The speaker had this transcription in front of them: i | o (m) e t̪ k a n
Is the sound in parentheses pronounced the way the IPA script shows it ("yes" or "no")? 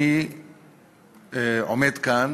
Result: yes